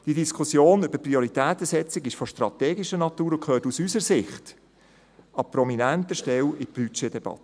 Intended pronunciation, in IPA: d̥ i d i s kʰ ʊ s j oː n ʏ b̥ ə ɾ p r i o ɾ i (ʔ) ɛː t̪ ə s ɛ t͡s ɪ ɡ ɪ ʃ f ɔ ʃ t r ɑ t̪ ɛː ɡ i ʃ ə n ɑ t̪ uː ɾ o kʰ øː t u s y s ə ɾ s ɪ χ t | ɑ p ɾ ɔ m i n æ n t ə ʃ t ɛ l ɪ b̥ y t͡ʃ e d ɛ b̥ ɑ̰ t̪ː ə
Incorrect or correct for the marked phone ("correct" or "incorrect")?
incorrect